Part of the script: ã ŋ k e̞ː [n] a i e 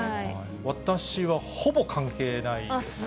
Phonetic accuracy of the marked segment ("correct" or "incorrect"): correct